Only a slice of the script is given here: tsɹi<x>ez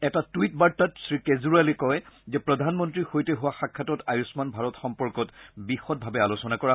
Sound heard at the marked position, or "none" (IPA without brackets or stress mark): k